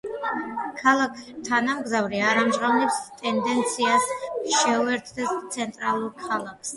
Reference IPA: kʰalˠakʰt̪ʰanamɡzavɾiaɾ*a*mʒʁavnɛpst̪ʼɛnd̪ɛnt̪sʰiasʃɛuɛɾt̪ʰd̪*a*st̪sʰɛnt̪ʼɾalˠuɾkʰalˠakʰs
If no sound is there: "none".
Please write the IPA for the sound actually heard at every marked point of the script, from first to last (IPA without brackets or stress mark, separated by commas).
a, ɛ